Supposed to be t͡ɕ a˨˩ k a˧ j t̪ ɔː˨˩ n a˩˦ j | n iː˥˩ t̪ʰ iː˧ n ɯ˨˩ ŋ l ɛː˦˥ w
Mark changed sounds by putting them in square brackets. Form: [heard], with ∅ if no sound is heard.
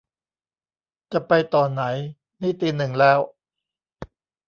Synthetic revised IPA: t͡ɕ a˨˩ [p] a˧ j t̪ ɔː˨˩ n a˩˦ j | n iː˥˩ [t̪] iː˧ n ɯ˨˩ ŋ l ɛː˦˥ w